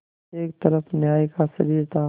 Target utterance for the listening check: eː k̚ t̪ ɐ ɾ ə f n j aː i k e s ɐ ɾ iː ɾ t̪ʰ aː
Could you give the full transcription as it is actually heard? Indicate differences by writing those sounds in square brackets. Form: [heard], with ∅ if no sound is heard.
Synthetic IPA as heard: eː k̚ t̪ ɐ ɾ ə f n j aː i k [a] s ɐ ɾ iː ɾ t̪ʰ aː